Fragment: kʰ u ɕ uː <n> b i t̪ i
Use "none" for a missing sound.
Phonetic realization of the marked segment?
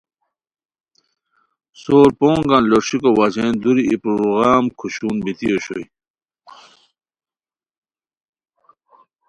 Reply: n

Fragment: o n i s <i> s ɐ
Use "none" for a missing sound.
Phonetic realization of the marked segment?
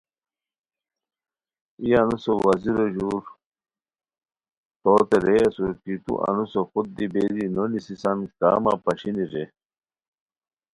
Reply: i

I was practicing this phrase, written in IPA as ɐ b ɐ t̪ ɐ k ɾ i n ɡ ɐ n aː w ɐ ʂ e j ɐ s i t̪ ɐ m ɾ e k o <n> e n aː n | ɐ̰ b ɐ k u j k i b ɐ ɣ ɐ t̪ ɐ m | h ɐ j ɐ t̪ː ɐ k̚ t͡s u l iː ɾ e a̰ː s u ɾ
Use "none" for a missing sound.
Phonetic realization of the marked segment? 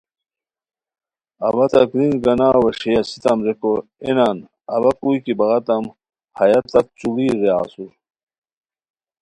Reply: none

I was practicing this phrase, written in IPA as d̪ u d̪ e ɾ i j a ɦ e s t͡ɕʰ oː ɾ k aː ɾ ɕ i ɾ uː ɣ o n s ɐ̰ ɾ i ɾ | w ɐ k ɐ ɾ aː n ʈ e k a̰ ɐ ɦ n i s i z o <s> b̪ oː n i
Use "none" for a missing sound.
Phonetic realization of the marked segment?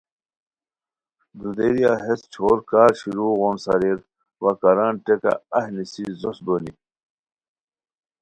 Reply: s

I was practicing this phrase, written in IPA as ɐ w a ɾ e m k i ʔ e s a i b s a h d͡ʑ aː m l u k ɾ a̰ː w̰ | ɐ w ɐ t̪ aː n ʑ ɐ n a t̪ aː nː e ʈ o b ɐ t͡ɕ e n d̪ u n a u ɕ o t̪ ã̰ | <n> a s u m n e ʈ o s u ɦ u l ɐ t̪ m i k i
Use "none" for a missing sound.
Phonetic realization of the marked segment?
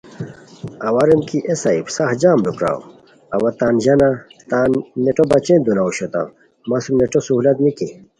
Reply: m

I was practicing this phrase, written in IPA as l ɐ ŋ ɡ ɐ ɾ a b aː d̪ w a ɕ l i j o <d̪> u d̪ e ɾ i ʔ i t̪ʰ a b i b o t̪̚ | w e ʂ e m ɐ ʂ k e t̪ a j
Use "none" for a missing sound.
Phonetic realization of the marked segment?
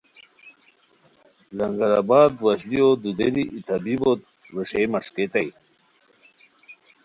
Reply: d̪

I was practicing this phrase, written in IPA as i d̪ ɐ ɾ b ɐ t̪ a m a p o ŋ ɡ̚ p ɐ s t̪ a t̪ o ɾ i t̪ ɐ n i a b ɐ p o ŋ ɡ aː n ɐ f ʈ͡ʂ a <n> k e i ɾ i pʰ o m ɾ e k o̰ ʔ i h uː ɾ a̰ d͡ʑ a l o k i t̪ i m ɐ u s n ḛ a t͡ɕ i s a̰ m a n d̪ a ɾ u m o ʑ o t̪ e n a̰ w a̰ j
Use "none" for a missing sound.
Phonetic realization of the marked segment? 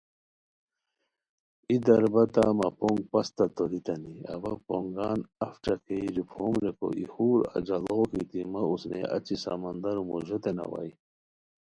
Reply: none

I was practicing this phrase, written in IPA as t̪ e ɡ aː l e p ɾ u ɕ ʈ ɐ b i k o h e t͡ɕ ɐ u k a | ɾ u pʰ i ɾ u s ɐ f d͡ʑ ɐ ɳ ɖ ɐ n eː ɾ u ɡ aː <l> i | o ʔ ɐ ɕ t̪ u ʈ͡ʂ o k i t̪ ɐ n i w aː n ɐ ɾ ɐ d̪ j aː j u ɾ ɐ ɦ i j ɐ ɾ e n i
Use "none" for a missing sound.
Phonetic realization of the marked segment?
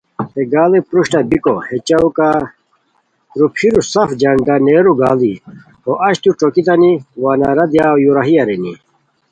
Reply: l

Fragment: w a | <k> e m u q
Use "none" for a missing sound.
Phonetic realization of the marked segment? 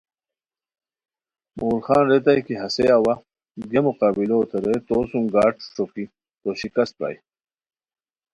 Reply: ɡ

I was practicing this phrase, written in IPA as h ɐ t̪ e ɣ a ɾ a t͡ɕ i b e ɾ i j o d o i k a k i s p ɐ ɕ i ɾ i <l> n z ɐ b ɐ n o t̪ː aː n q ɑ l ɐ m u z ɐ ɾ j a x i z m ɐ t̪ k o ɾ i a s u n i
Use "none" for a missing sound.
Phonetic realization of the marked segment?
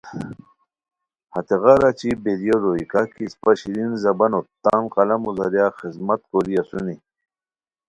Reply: none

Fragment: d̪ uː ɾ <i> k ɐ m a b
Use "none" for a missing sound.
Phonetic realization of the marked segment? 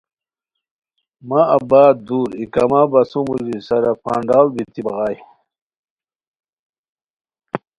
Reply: i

